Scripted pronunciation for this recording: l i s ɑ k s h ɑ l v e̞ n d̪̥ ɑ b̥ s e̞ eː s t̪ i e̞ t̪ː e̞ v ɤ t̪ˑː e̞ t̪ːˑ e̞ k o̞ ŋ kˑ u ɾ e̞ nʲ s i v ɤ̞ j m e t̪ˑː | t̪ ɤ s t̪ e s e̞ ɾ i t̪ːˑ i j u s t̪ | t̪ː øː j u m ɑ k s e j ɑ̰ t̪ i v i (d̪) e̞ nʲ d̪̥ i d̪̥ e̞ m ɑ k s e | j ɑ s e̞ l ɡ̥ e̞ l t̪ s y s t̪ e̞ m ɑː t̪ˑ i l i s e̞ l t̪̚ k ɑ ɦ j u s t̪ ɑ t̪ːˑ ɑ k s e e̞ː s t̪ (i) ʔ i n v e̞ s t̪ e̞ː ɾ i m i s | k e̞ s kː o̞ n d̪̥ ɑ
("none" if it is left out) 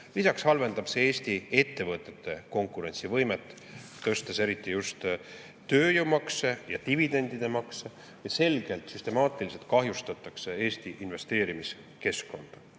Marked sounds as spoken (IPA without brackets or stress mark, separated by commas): d̪, i